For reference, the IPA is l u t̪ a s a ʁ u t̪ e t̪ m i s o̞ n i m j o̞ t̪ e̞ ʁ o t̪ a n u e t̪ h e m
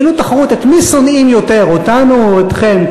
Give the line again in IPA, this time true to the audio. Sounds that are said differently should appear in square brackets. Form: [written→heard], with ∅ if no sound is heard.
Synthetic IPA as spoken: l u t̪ a [s→χ] a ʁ u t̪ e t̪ m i s o̞ n i m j o̞ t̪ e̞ ʁ o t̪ a n u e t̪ [h→χ] e m